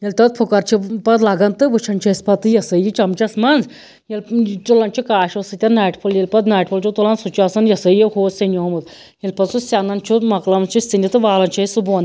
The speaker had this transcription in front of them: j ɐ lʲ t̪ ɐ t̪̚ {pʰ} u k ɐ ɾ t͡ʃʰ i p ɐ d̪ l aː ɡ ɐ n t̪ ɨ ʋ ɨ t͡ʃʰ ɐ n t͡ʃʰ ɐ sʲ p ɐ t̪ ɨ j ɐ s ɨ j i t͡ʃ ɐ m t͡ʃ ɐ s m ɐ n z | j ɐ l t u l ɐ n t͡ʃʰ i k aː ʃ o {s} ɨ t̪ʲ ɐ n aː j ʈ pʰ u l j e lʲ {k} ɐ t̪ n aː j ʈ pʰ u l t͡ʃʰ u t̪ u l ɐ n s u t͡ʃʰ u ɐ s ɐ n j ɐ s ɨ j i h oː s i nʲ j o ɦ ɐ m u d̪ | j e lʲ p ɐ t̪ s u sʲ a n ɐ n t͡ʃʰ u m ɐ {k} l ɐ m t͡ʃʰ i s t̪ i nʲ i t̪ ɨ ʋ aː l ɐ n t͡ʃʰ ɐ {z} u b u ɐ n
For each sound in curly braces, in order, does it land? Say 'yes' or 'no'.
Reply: yes, yes, no, yes, no

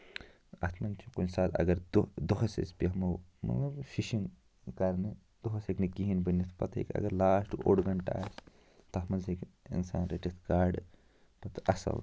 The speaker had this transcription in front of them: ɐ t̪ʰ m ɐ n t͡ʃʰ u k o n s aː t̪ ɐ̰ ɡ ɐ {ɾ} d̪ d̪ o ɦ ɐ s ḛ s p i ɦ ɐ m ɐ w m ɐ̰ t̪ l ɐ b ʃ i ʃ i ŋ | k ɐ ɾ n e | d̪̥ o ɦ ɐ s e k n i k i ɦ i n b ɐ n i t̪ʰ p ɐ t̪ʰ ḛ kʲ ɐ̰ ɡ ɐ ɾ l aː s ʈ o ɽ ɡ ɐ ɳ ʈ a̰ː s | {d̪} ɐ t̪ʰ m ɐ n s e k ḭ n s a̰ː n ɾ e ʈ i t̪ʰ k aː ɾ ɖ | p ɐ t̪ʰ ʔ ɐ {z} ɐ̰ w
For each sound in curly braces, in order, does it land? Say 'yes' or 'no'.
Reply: yes, no, no

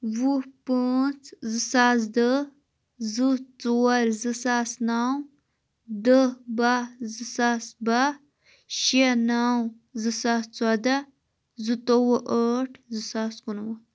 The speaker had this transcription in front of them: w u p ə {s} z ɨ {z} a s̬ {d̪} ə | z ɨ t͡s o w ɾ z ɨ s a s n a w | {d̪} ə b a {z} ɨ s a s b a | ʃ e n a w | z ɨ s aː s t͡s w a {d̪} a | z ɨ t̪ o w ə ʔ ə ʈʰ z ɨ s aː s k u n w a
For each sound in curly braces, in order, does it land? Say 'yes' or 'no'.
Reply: no, no, yes, yes, yes, yes

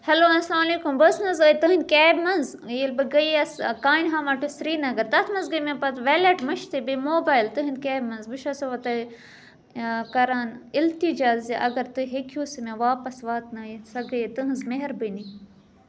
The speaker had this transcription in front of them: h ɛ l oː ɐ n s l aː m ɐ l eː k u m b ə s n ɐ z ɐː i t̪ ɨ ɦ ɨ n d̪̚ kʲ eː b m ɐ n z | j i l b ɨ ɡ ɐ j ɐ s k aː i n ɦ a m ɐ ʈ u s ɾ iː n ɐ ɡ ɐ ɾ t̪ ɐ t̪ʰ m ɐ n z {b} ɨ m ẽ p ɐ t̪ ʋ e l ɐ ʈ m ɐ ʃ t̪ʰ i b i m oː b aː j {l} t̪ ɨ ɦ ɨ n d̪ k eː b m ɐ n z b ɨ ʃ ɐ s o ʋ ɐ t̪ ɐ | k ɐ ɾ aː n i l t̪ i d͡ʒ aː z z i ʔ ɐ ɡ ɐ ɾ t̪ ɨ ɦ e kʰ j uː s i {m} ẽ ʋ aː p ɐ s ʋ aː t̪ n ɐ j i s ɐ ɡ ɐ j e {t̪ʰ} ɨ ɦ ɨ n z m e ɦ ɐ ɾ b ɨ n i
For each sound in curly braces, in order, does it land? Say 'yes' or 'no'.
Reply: no, yes, yes, no

